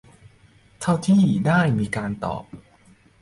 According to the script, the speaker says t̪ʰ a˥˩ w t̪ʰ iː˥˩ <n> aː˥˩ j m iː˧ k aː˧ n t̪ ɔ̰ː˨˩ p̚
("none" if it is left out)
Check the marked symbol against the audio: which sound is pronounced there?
d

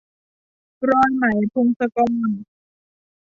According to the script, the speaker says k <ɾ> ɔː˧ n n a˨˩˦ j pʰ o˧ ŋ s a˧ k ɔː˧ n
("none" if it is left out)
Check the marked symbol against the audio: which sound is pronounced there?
ɾ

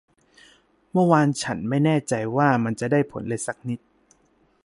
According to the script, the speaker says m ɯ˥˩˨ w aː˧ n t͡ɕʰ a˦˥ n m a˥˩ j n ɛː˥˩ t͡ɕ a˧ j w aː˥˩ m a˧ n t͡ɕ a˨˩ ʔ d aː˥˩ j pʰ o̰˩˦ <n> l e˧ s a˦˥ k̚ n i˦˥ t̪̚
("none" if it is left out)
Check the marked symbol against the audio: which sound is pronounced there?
n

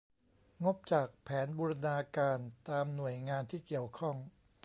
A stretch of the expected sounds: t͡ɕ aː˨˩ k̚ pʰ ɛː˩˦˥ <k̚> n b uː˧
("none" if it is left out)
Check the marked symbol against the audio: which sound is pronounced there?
none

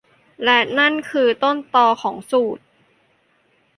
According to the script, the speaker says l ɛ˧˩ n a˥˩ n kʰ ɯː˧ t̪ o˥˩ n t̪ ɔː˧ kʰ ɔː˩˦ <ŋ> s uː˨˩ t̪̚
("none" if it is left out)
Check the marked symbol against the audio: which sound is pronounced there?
ŋ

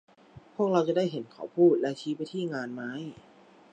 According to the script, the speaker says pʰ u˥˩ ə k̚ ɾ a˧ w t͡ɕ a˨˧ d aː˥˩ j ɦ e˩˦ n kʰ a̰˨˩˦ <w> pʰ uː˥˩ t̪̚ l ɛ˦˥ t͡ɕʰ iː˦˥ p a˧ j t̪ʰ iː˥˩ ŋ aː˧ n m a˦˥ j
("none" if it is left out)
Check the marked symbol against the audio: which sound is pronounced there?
w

